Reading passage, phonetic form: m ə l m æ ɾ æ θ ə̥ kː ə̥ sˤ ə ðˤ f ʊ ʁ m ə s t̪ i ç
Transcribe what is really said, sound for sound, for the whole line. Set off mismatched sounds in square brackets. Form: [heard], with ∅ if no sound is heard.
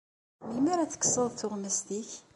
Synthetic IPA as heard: m ə l m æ ɾ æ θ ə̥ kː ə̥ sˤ ə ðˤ [θ] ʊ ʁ m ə s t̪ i ç